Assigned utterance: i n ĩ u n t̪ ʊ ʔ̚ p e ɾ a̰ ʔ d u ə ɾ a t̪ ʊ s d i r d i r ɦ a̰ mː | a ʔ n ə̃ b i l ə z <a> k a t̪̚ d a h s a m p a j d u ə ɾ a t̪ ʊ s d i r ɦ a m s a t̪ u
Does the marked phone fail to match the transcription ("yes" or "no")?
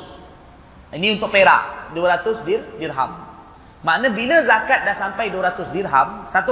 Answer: no